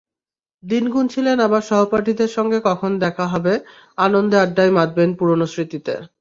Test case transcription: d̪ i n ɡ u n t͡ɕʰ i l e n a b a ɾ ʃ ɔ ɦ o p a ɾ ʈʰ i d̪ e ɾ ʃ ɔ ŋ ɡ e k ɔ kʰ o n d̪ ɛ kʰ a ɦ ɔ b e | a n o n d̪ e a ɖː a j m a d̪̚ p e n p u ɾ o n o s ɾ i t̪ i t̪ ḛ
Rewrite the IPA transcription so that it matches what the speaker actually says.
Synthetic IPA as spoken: d̪ i n ɡ u n t͡ɕʰ i l e n a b a ɾ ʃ ɔ ɦ o p a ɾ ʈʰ i d̪ e ɾ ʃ ɔ ŋ ɡ e k ɔ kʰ o n d̪ ɛ kʰ a ɦ ɔ b e | a n o n d̪ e a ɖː a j m a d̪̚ b e n p u ɾ o n o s ɾ i t̪ i t̪ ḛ